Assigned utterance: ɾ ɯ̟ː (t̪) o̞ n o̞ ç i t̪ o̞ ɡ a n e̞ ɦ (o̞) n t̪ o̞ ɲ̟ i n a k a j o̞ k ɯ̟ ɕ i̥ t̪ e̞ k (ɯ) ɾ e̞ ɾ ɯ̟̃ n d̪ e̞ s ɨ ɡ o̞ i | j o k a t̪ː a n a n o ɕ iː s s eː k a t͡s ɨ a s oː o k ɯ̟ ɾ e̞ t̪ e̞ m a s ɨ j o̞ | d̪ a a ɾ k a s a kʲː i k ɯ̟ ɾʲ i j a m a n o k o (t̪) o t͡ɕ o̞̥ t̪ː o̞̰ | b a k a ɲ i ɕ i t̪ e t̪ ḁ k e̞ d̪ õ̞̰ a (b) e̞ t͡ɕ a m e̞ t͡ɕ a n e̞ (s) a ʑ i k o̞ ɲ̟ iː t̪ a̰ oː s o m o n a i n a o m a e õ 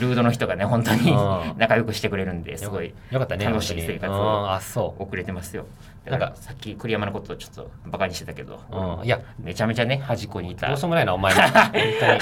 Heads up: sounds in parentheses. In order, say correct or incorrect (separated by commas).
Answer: incorrect, incorrect, correct, correct, incorrect, incorrect